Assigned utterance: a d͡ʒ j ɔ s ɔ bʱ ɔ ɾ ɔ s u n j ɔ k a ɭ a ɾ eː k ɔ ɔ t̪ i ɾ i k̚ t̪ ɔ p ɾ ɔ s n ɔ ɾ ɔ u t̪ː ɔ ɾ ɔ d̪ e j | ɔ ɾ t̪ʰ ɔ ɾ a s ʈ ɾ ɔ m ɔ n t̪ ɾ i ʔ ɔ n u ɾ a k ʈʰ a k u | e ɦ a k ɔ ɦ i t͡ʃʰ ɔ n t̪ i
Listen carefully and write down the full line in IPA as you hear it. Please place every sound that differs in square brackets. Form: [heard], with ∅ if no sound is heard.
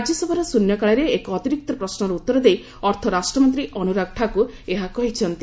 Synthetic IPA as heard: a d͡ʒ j ɔ s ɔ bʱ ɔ ɾ ɔ s u n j ɔ k a ɭ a ɾ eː k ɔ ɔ t̪ i ɾ i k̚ t̪ ɔ p ɾ ɔ s n ɔ ɾ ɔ u t̪ː ɔ ɾ ɔ d̪ e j | ɔ ɾ t̪ʰ ɔ ɾ a s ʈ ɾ ɔ m ɔ n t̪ ɾ i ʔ ɔ n u ɾ a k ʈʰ a k u | e ɦ a k ɔ ɦ i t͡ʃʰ ɔ n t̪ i